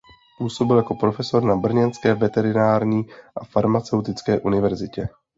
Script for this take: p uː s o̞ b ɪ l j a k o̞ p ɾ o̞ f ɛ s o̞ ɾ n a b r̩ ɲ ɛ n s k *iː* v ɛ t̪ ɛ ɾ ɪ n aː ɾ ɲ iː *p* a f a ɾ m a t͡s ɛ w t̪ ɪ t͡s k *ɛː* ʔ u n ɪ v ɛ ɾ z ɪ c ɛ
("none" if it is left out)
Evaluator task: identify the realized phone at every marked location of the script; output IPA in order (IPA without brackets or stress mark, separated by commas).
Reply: ɛː, ʔ, ɛː